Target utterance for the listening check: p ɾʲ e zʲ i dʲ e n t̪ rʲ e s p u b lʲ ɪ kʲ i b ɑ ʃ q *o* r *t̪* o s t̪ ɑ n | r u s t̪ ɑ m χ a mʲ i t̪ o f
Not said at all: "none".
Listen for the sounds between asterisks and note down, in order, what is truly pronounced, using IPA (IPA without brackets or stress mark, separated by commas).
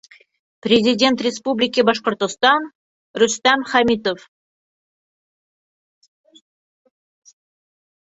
o, t̪